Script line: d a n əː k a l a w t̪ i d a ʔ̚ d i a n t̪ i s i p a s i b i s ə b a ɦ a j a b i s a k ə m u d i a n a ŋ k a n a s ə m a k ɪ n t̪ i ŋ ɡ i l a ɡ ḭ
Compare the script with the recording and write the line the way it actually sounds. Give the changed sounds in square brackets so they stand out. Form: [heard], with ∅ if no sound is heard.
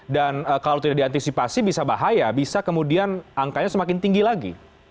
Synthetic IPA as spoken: d a n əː k a l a w t̪ i d a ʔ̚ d i a n t̪ i s i p a s i b i s [a] b a ɦ a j a b i s a k ə m u d i a n a ŋ k a [ɲ] a s ə m a k ɪ n t̪ i ŋ ɡ i l a ɡ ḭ